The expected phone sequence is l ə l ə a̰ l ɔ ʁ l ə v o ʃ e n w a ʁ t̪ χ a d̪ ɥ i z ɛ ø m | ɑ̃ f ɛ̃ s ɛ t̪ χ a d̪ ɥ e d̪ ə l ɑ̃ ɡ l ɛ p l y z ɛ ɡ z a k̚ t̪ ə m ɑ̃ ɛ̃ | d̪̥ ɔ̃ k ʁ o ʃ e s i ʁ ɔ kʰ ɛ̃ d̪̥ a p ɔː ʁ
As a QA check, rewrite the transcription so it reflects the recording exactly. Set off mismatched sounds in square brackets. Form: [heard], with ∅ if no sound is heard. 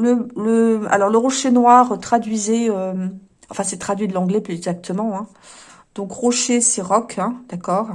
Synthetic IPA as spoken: l ə l ə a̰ l ɔ ʁ l ə [ʁ] o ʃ e n w a ʁ t̪ χ a d̪ ɥ i z ɛ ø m | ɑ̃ f ɛ̃ s ɛ t̪ χ a d̪ ɥ [i] d̪ ə l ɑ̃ ɡ l ɛ p l y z ɛ ɡ z a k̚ t̪ ə m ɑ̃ ɛ̃ | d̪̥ ɔ̃ k ʁ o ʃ e s [ɛ] ʁ ɔ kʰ ɛ̃ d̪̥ a [k] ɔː ʁ